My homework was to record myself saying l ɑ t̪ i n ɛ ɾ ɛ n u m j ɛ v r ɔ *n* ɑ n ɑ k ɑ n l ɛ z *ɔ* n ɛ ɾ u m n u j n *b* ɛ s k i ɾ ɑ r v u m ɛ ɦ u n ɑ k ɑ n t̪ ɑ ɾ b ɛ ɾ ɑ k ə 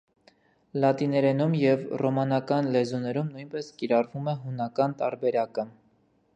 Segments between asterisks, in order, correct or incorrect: incorrect, incorrect, incorrect

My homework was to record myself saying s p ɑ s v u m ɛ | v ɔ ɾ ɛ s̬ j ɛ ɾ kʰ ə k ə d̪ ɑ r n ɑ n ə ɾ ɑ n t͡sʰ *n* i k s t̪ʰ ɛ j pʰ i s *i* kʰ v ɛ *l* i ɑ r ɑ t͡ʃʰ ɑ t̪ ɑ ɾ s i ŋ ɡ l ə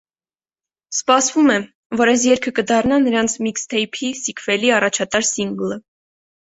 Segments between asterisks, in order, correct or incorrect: incorrect, correct, correct

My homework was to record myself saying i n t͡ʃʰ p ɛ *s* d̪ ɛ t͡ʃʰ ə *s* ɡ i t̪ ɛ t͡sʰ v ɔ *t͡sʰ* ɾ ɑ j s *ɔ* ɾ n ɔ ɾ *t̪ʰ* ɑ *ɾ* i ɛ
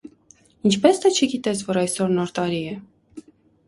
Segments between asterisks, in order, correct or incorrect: correct, incorrect, incorrect, correct, incorrect, correct

